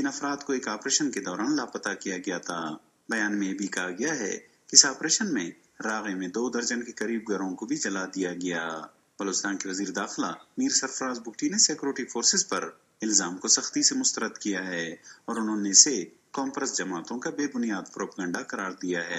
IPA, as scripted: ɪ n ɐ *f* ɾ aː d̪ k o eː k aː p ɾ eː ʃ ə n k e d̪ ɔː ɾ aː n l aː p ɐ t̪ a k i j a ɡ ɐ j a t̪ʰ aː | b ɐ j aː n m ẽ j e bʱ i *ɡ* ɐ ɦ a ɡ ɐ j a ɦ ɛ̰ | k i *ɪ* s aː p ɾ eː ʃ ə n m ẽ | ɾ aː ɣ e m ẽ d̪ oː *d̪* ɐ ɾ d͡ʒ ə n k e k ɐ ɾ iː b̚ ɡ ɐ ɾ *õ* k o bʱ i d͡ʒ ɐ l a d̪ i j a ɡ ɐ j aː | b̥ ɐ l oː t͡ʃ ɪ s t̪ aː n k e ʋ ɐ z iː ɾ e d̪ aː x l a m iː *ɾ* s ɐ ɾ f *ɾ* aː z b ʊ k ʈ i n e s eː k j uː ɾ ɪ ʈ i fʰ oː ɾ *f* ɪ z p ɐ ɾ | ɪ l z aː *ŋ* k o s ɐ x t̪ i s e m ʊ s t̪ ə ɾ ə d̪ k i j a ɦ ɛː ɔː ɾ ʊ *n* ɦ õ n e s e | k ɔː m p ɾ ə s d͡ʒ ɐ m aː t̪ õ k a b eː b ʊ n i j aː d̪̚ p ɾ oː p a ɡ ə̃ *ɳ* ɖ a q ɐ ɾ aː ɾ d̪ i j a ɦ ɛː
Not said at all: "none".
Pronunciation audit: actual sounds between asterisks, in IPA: f, k, ɪ, d̪, õ, ɾ, ɾ, s, m, n, ɳ

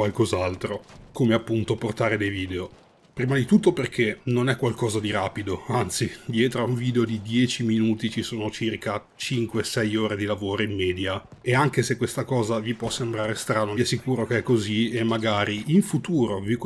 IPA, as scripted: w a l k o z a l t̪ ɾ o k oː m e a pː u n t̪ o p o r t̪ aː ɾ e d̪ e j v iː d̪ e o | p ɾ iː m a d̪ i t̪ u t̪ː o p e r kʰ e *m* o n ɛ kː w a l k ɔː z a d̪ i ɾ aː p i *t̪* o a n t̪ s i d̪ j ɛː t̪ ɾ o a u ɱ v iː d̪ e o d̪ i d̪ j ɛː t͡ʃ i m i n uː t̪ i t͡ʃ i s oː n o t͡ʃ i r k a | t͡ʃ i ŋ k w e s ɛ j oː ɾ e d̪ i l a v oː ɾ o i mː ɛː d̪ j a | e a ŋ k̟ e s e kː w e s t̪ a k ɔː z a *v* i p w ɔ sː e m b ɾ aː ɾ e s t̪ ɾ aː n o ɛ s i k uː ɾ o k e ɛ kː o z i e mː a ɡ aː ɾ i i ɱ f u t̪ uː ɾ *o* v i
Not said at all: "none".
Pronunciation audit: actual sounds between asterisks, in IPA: n, d̪, v, o

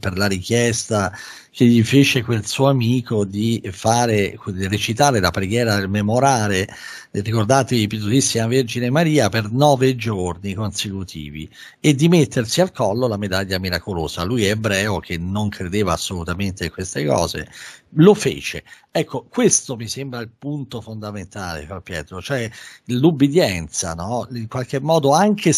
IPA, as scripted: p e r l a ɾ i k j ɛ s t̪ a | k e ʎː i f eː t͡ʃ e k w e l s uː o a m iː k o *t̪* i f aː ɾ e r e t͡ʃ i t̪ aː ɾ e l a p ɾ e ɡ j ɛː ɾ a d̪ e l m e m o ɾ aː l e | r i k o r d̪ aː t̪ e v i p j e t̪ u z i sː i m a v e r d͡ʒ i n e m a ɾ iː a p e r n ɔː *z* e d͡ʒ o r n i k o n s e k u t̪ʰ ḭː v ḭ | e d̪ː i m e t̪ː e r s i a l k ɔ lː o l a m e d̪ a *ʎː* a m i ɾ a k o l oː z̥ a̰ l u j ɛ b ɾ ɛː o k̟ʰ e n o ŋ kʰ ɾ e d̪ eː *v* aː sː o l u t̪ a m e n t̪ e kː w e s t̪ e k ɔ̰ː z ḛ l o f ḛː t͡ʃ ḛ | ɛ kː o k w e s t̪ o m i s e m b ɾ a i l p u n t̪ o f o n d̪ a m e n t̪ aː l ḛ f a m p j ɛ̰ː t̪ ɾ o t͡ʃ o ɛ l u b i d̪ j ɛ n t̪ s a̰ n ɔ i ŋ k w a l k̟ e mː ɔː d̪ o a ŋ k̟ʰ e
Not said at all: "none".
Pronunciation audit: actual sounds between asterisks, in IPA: d̪, v, ʎː, v

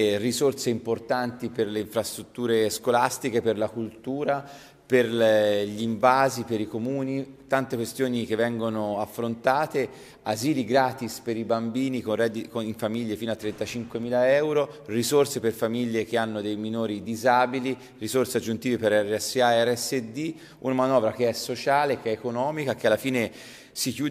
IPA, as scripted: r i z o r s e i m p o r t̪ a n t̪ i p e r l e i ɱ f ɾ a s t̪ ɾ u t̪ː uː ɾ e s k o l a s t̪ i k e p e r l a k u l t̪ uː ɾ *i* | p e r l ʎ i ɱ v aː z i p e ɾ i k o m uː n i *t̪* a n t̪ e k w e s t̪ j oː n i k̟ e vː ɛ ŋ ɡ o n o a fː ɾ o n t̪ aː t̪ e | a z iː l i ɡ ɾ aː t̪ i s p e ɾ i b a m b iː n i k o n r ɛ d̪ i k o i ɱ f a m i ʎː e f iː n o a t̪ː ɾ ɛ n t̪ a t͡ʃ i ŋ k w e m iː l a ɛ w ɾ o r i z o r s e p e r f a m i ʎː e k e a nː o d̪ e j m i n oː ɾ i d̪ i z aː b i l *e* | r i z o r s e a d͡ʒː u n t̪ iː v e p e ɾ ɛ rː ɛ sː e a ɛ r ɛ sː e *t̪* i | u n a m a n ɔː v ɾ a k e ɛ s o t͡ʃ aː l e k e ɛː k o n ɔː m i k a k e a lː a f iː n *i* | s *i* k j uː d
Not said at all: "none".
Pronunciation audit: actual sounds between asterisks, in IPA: a, t̪, i, d̪, e, i

